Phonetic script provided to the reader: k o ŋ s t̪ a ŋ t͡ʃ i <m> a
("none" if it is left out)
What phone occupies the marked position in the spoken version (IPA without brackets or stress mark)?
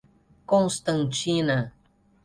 n